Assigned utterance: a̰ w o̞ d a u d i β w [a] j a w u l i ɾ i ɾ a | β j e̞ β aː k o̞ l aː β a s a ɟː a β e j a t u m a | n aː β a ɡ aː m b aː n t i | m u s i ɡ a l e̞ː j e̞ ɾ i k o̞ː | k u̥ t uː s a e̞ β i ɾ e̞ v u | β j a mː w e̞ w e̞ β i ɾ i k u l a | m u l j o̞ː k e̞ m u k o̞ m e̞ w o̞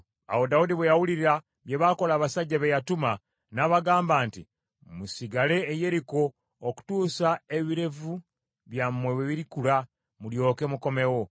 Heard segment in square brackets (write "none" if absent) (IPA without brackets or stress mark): e